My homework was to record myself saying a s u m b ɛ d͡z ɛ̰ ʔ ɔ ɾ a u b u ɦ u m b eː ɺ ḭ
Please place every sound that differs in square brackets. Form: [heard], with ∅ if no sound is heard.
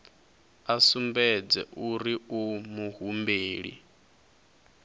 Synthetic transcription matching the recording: a s u m b ɛ d͡z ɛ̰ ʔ [u] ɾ [i] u [m] u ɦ u m b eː ɺ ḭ